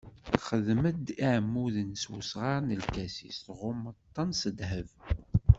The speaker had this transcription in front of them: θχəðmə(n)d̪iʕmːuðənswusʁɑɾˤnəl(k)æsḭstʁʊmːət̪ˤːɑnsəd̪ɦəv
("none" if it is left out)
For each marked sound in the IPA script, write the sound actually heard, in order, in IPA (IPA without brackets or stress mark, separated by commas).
none, k